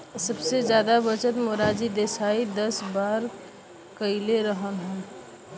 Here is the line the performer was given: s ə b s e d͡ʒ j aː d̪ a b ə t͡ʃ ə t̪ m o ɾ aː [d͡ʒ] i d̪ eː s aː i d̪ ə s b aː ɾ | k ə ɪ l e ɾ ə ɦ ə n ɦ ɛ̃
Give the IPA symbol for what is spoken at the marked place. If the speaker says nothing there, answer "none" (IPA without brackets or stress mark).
d͡ʒ